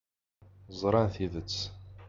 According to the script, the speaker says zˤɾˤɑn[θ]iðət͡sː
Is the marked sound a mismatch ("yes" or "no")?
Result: no